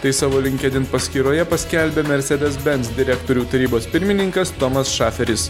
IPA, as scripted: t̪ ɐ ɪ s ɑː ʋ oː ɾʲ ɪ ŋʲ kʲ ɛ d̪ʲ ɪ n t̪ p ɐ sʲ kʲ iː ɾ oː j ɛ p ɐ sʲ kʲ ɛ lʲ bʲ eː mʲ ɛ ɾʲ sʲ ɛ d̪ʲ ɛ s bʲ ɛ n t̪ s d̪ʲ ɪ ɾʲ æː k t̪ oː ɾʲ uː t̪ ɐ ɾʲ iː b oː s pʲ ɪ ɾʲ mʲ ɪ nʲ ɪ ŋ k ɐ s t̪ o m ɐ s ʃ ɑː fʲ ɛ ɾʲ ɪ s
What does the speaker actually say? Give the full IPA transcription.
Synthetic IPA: t̪ ɐ ɪ s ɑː ʋ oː lʲ ɪ ŋʲ kʲ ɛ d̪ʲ ɪ n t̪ p ɐ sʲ kʲ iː ɾ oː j ɛ p ɐ sʲ kʲ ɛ lʲ bʲ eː mʲ ɛ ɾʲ sʲ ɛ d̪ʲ ɛ s bʲ ɛ n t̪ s d̪ʲ ɪ ɾʲ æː k t̪ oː ɾʲ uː t̪ ɐ ɾʲ iː b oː s pʲ ɪ ɾʲ mʲ ɪ nʲ ɪ ŋ k ɐ s t̪ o m ɐ s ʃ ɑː fʲ ɛ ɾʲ ɪ s